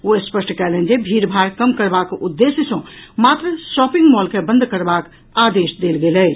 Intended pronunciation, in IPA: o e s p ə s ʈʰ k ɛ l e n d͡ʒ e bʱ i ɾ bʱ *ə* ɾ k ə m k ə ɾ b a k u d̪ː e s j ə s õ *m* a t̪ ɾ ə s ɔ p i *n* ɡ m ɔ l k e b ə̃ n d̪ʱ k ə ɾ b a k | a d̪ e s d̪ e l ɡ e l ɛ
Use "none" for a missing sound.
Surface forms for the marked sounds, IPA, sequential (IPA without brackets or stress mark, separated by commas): a, m, ŋ